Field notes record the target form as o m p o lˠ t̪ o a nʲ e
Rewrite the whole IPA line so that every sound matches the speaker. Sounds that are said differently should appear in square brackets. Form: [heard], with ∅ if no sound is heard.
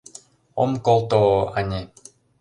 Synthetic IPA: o m [k] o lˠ t̪ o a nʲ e